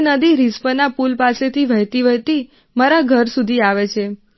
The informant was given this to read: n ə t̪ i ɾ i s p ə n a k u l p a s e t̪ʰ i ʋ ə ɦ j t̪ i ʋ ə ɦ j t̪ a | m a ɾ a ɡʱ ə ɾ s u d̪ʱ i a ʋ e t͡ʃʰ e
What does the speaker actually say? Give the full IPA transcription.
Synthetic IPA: n ə d̪ i ɾ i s p ə n a p u l p a s e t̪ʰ i ʋ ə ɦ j t̪ i ʋ ə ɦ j t̪ i | m a ɾ a ɡʱ ə ɾ s u d̪ʱ i a ʋ e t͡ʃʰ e